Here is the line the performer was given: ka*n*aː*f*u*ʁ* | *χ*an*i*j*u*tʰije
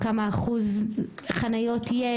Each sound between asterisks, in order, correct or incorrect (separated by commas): incorrect, incorrect, incorrect, correct, incorrect, incorrect